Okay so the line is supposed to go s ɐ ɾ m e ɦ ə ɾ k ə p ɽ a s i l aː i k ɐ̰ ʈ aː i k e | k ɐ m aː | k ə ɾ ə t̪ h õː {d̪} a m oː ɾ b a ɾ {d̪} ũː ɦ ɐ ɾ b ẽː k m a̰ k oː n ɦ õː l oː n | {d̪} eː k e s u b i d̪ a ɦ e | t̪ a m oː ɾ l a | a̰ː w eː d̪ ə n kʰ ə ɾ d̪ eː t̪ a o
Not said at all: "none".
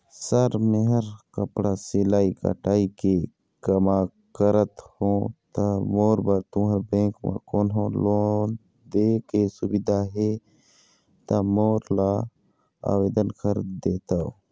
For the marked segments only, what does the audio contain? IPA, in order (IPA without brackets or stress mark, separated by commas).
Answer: t̪, t̪, d̪